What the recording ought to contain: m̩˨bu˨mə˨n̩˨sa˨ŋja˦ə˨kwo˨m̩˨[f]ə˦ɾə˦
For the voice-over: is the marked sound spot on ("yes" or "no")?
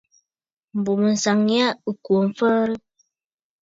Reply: yes